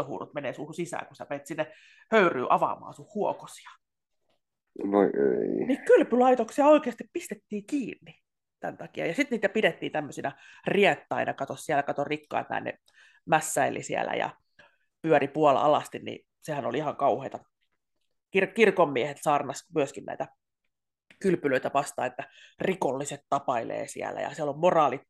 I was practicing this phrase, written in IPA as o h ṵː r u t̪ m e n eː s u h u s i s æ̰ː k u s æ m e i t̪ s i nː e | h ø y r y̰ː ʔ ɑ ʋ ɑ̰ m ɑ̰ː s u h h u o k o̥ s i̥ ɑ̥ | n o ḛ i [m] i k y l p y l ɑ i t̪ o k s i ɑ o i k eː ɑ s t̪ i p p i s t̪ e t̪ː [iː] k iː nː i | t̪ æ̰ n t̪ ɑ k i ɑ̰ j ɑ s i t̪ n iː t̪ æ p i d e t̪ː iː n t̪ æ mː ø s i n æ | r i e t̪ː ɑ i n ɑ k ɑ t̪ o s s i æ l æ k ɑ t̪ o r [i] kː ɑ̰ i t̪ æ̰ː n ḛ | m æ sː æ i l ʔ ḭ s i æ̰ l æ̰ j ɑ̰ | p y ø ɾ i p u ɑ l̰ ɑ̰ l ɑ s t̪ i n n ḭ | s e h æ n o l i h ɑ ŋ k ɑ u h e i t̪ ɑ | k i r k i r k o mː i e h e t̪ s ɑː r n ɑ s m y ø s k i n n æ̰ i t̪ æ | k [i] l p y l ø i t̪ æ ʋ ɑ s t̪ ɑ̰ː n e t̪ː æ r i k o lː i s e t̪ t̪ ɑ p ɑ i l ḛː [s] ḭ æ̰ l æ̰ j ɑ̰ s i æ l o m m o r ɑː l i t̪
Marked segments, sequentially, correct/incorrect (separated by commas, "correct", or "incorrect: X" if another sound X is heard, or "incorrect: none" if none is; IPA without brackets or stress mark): incorrect: n, correct, correct, incorrect: y, correct